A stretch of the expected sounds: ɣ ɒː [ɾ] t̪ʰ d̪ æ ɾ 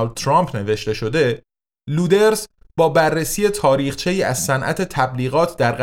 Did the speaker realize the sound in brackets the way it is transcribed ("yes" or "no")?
no